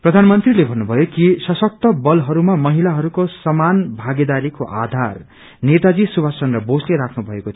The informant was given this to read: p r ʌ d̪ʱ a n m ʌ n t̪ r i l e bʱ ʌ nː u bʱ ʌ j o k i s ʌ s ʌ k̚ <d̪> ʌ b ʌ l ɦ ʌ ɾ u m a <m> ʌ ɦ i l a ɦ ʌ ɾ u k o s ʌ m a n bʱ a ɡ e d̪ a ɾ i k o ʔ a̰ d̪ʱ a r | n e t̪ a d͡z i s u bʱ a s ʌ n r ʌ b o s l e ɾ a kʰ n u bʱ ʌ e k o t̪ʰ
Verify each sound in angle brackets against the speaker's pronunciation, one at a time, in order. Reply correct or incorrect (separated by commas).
incorrect, correct